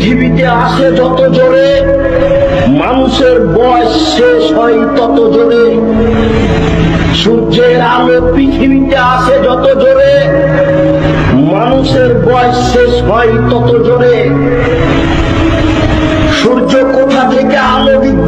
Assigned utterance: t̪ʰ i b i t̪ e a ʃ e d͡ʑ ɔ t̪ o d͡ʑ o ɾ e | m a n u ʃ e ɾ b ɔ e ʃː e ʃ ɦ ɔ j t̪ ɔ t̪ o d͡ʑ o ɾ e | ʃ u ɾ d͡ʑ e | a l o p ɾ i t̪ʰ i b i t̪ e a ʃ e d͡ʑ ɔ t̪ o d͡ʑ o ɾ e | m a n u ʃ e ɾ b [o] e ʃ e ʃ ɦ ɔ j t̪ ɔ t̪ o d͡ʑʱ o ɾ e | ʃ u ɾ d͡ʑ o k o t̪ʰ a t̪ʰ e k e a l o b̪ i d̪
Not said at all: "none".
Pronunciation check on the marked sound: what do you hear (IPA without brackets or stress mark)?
ɔ